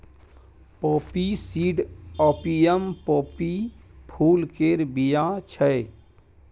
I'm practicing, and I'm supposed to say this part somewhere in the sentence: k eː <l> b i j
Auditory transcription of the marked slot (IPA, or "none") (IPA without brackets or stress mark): ɾ